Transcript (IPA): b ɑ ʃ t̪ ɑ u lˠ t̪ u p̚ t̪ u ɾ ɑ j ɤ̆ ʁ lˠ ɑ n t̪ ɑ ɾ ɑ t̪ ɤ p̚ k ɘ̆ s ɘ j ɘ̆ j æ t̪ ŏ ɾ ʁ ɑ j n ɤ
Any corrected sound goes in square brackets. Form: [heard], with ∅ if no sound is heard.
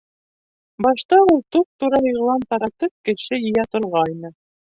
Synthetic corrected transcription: b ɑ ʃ t̪ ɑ u lˠ t̪ u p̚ t̪ u ɾ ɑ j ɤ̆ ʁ lˠ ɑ n t̪ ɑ ɾ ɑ t̪ ɤ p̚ k ɘ̆ [ʃ] ɘ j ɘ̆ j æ t̪ ŏ ɾ ʁ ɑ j n ɤ